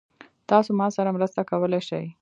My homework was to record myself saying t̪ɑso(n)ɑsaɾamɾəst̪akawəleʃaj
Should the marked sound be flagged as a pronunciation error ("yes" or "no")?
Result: yes